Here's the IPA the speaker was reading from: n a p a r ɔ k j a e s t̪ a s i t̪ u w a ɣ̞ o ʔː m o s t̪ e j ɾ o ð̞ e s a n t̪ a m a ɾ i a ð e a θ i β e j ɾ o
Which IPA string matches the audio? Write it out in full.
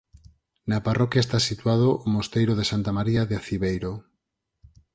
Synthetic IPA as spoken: n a p a r ɔ k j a e s t̪ a s i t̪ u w a ð̞ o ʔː m o s t̪ e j ɾ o ð̞ e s a n t̪ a m a ɾ i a ð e a θ i β e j ɾ o